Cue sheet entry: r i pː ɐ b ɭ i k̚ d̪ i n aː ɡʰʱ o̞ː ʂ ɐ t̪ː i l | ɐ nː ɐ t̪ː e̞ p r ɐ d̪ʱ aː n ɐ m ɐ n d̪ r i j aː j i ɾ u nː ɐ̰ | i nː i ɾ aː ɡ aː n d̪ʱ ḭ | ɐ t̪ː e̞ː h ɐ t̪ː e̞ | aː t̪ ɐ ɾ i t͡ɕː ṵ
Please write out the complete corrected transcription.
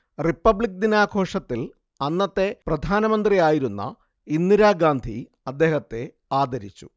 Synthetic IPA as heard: r i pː ɐ b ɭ i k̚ d̪ i n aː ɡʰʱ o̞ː ʂ ɐ t̪ː i l | ɐ nː ɐ t̪ː e̞ p r ɐ d̪ʱ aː n ɐ m ɐ n d̪ r i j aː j i ɾ u nː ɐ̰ | i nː i ɾ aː ɡ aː n d̪ʱ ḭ | ɐ d̪ː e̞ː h ɐ t̪ː e̞ | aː d̪ ɐ ɾ i t͡ɕː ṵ

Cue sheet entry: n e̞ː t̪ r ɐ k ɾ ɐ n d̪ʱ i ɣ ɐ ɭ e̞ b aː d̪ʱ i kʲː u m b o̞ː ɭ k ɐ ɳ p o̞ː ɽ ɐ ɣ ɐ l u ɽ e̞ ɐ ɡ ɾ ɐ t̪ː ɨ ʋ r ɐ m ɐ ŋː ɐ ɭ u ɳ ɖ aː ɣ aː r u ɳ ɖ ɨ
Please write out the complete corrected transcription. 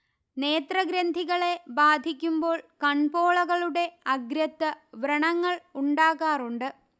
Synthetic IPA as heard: n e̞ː t̪ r ɐ ɡ ɾ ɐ n d̪ʱ i ɣ ɐ ɭ e̞ b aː d̪ʱ i kʲː u m b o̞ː ɭ k ɐ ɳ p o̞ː ɭ ɐ ɣ ɐ ɭ u ɽ e̞ ɐ ɡ ɾ ɐ t̪ː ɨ ʋ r ɐ ɳ ɐ ŋː ɐ ɭ u ɳ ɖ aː ɣ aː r u ɳ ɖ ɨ

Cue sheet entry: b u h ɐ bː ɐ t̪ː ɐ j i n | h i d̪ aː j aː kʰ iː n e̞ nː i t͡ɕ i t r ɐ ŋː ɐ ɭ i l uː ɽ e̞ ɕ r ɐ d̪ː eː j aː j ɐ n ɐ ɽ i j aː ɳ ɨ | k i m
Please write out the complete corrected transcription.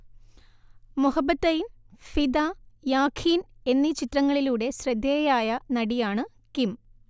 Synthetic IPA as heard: m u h ɐ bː ɐ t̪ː ɐ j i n | f i d̪ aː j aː kʰ iː n e̞ nː i t͡ɕ i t r ɐ ŋː ɐ ɭ i l uː ɽ e̞ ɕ r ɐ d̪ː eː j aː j ɐ n ɐ ɽ i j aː ɳ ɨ | k i m

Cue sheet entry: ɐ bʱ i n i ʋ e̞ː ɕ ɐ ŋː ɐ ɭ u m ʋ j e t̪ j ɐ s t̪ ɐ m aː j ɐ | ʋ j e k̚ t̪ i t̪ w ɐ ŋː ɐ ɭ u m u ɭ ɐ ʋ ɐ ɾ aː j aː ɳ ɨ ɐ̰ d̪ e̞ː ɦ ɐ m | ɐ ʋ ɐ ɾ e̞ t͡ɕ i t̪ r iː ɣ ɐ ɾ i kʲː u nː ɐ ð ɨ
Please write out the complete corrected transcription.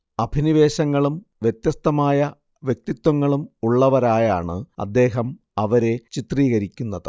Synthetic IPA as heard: ɐ bʱ i n i ʋ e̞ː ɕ ɐ ŋː ɐ ɭ u m ʋ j e t̪ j ɐ s t̪ ɐ m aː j ɐ | ʋ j e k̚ t̪ i t̪ w ɐ ŋː ɐ ɭ u m u ɭː ɐ ʋ ɐ ɾ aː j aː ɳ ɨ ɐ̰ d̪ː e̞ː ɦ ɐ m | ɐ ʋ ɐ ɾ e̞ t͡ɕ i t̪ r iː ɣ ɐ ɾ i kʲː u nː ɐ ð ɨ

